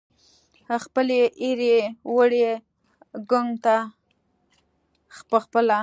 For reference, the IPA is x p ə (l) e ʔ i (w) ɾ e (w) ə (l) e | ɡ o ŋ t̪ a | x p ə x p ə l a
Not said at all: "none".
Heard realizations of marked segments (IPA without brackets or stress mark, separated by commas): l, none, w, ɽ